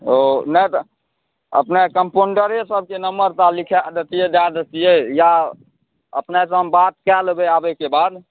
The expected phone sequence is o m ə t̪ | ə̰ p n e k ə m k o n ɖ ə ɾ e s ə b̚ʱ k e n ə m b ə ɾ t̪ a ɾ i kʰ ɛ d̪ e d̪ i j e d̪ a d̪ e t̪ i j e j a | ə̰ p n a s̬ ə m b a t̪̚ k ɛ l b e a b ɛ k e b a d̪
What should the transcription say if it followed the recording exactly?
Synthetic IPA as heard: o n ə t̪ | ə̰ p n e k ə m p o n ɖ ə ɾ e s ə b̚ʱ k e n ə m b ə ɾ t̪ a l i kʰ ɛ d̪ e t̪ i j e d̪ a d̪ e t̪ i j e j a | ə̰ p n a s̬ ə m b a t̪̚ k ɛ l b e a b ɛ k e b a d̪